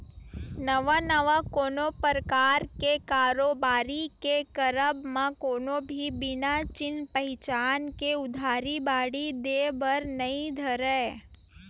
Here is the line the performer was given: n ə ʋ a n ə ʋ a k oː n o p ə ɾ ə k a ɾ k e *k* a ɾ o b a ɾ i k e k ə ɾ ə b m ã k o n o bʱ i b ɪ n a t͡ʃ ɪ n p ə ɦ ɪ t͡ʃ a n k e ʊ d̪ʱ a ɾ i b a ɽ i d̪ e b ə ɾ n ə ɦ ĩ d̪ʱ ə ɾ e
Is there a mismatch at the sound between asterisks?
no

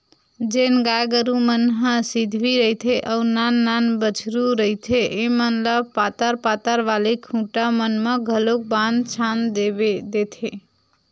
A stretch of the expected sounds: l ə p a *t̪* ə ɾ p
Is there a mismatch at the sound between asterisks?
no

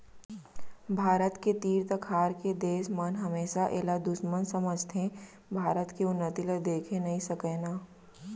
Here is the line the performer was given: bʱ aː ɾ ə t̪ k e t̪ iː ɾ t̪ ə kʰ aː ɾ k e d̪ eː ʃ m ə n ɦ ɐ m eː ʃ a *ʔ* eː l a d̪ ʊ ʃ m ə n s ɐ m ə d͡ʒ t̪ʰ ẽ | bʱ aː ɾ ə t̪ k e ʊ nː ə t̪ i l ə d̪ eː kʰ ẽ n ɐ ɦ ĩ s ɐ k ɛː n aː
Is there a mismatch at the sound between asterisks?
no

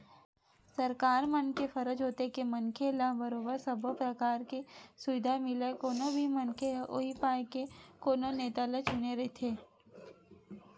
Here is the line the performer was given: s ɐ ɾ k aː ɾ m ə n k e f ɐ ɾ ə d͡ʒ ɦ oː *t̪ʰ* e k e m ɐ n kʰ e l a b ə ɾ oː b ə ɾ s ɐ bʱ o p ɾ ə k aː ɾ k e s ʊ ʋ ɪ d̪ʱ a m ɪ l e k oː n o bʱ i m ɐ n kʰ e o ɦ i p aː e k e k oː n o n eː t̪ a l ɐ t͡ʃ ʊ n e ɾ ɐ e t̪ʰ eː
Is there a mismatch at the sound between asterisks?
yes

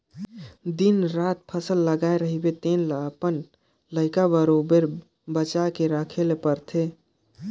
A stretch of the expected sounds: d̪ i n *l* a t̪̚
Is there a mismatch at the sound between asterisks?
yes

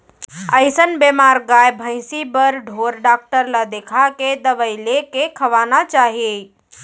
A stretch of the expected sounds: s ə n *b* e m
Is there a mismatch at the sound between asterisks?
no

